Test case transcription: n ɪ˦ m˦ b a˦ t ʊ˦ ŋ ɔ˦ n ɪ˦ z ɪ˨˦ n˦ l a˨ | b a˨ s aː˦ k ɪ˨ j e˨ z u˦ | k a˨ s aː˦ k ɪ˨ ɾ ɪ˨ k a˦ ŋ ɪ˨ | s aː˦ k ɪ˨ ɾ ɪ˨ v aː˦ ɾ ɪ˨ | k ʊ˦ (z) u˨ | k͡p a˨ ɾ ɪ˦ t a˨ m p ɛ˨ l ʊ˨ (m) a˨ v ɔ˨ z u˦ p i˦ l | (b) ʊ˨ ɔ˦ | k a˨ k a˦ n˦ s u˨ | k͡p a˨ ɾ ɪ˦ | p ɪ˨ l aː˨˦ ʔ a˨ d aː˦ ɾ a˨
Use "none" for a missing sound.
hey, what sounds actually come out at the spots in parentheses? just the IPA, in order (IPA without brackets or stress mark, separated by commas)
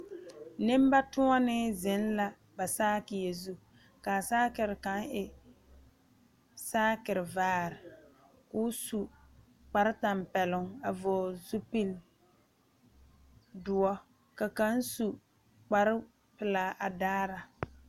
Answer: s, ŋ, d